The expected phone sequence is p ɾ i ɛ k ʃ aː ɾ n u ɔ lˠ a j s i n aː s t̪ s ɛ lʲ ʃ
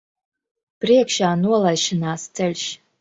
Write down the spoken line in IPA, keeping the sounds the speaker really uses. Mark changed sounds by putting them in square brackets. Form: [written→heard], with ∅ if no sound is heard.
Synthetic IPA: p ɾ i ɛ k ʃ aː [ɾ→∅] n u ɔ lˠ a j [s→ʃ] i n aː s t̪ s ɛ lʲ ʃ